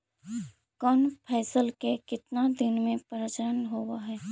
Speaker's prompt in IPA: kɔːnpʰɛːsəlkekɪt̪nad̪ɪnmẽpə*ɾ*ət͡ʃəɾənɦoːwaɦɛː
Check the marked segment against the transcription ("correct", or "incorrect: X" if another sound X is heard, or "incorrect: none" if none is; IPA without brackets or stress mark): correct